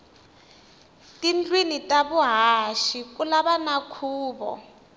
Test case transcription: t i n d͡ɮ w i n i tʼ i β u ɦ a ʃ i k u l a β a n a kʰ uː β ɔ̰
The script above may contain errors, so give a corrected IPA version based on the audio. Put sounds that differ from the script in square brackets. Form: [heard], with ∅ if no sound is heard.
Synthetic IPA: t i n d͡ɮ w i n i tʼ [a] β u ɦ a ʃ i k u l a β a n a kʰ uː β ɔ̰